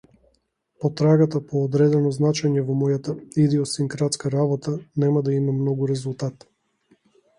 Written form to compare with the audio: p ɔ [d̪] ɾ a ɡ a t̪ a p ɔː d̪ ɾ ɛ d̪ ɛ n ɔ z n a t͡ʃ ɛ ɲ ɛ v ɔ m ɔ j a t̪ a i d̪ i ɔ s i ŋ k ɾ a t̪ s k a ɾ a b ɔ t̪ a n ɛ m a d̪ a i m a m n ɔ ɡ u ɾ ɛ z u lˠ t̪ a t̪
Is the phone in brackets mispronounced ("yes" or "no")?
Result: yes